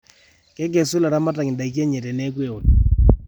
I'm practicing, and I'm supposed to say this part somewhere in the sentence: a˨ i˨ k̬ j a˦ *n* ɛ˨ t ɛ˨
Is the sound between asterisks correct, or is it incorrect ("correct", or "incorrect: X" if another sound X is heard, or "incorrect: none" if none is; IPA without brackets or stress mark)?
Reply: incorrect: ɲ